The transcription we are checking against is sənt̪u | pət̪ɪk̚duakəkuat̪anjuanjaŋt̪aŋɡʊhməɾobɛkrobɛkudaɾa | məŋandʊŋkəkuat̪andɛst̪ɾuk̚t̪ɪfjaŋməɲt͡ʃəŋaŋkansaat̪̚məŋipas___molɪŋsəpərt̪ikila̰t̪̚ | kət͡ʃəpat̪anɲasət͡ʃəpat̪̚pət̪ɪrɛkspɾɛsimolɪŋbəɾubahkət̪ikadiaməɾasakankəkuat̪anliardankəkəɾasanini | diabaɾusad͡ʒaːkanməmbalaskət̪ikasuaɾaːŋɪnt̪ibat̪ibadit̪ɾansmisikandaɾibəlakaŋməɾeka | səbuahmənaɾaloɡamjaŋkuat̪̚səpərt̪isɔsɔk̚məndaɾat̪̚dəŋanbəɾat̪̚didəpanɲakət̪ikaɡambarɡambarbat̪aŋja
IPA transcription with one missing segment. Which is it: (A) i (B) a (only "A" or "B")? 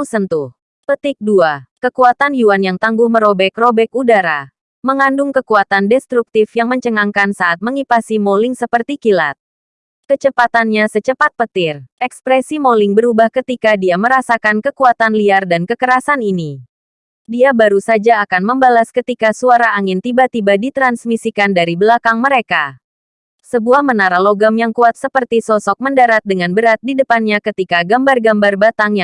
A